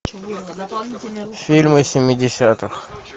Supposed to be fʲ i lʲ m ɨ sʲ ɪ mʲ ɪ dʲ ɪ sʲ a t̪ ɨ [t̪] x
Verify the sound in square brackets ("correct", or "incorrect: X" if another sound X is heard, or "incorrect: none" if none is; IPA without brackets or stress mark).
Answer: incorrect: none